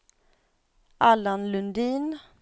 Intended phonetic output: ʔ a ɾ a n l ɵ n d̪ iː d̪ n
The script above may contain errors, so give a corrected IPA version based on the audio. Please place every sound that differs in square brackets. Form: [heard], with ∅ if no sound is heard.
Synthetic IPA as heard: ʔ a [l] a n l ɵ n d̪ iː [∅] n